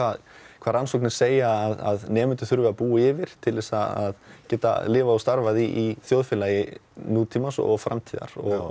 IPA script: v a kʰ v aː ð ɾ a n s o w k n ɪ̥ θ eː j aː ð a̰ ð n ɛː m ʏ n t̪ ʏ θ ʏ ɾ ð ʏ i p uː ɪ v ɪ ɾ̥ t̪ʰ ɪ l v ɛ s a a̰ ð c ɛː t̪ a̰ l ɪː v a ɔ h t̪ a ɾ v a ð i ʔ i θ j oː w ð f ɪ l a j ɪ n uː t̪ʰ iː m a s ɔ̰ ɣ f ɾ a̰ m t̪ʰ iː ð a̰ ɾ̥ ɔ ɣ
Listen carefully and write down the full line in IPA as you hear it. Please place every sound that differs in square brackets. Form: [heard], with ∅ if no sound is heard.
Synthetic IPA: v a kʰ v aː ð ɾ a n s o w k n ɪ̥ [s] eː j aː ð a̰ ð n ɛː m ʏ n t̪ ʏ θ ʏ ɾ [v] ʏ [a] p uː ɪ v ɪ ɾ̥ t̪ʰ ɪ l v ɛ s a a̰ ð c ɛː t̪ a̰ l ɪː v a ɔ [s] t̪ a ɾ v a ð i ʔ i θ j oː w ð f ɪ l a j ɪ n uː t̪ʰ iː m a s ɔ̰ ɣ f ɾ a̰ m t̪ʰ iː ð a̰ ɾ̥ ɔ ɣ